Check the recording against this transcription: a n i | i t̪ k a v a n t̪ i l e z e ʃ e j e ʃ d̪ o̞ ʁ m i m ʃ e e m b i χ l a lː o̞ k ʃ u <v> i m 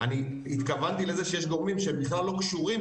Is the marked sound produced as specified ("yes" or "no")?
no